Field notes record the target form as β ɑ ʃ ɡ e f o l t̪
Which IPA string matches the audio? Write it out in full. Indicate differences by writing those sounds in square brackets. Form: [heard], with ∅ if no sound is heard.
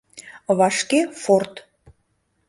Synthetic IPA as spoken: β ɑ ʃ [k] e f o [r] t̪